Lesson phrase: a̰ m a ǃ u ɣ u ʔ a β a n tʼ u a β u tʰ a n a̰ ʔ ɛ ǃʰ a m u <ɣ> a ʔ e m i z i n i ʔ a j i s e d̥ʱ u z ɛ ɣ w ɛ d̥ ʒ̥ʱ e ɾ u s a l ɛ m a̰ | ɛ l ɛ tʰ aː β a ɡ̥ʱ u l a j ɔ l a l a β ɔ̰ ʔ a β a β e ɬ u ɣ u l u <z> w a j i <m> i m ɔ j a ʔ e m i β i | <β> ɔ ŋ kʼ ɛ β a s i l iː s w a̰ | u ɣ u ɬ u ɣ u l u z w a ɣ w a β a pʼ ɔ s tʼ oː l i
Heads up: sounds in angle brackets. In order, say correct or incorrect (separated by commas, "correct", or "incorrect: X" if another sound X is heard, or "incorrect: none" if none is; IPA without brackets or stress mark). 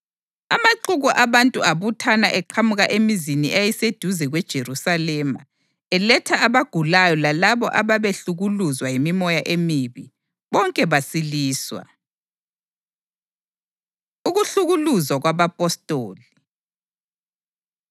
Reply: correct, correct, correct, correct